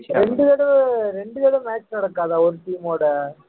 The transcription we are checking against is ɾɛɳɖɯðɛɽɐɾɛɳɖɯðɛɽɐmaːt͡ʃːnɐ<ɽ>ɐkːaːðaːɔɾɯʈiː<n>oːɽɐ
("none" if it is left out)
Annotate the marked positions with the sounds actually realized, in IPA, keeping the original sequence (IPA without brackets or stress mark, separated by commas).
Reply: ɽ, m